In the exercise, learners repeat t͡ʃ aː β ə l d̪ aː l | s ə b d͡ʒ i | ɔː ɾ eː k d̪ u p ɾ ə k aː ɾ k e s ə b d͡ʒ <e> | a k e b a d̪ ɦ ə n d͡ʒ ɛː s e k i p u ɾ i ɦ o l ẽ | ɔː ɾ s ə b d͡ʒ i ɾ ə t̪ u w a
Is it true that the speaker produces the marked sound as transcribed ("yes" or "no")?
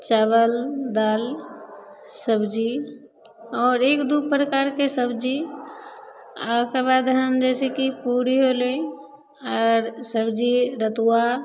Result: no